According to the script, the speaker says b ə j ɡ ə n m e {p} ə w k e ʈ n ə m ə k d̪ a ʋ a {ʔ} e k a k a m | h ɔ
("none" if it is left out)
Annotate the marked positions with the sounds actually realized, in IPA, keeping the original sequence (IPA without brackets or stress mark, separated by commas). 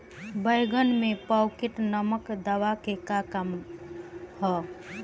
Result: p, k